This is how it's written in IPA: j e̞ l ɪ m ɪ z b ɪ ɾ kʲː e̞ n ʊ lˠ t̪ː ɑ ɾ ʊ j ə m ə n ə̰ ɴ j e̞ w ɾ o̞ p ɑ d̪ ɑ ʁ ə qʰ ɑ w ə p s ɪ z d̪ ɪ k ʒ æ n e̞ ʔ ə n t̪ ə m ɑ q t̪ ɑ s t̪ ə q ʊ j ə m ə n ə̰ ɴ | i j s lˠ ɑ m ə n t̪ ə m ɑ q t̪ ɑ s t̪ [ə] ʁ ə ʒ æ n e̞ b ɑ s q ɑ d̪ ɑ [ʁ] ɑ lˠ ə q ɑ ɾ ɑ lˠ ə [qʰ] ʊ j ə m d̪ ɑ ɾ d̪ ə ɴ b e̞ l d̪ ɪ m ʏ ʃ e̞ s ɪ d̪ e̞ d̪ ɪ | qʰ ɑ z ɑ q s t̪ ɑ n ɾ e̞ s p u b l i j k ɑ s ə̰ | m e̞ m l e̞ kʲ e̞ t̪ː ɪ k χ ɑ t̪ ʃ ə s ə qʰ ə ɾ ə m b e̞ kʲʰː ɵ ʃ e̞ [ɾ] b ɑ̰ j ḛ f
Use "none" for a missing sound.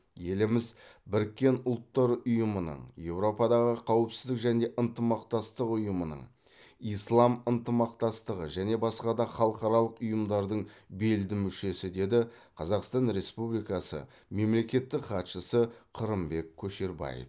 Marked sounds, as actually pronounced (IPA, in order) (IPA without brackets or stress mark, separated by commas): ə, χ, q, ɾ